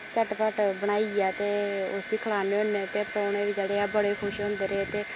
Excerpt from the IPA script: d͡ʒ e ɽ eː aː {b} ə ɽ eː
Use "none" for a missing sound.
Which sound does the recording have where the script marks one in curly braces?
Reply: b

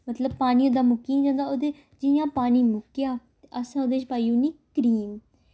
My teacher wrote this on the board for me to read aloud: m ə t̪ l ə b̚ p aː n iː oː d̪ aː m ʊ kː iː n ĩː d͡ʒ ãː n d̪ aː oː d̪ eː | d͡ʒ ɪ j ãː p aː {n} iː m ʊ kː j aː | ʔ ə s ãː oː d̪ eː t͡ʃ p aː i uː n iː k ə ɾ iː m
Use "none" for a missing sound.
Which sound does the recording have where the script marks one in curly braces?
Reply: n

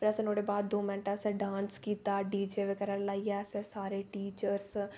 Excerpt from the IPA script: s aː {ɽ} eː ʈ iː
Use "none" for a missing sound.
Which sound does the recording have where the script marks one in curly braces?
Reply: ɾ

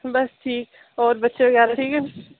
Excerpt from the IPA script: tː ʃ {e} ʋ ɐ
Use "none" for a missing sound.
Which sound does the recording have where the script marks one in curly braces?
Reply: e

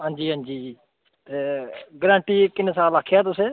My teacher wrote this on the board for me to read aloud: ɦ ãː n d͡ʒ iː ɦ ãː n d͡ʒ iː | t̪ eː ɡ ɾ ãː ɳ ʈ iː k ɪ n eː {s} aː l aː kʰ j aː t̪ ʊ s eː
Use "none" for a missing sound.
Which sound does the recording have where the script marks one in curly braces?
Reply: s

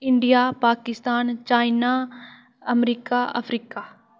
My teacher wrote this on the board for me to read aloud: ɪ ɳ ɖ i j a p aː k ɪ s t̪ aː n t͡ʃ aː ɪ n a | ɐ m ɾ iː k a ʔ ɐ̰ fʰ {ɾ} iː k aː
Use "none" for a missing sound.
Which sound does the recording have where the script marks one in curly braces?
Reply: ɾ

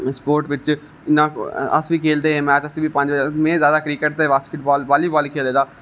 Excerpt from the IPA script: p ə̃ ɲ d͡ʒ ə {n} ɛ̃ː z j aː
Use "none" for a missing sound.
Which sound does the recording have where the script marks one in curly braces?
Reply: m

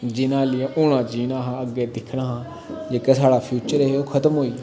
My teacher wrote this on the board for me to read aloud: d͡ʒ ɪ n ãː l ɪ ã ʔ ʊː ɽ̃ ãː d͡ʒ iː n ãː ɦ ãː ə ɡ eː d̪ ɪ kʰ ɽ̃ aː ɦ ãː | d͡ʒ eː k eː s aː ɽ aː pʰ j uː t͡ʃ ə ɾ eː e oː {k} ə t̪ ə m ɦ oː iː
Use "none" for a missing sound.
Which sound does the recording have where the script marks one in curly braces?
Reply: kʰ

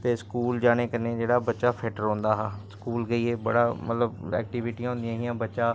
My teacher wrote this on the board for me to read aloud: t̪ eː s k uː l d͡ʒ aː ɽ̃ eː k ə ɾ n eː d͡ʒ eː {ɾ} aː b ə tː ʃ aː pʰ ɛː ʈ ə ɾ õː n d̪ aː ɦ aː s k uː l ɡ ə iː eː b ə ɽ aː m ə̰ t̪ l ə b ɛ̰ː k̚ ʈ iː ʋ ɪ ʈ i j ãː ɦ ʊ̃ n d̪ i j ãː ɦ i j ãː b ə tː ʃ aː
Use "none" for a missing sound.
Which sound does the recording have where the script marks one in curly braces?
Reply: ɽ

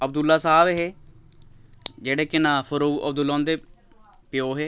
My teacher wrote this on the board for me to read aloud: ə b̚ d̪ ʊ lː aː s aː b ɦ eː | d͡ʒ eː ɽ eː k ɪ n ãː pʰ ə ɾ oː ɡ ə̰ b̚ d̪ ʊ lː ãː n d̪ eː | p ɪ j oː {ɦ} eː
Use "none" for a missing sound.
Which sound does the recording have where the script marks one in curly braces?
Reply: ɦ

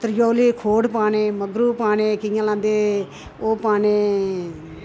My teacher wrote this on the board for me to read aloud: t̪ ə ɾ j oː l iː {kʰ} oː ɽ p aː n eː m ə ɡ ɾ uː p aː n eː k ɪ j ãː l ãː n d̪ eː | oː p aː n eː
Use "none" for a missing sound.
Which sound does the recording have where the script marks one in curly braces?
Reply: kʰ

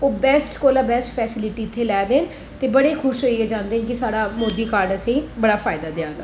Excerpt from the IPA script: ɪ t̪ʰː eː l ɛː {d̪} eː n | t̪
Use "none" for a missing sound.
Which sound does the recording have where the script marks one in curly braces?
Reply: d̪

